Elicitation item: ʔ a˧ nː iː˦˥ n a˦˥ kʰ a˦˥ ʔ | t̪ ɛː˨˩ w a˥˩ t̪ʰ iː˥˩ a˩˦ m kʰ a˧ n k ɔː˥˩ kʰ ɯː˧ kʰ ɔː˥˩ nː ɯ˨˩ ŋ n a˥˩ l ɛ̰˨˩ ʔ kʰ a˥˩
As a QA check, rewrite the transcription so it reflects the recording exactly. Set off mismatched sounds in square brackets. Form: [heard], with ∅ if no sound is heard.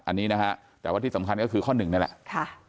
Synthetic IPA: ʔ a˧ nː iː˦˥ n a˦˥ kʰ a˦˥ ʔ | t̪ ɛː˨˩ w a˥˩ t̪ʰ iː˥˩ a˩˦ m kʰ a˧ n k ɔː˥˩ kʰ ɯː˧ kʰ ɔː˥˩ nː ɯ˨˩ ŋ n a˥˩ l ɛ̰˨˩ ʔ kʰ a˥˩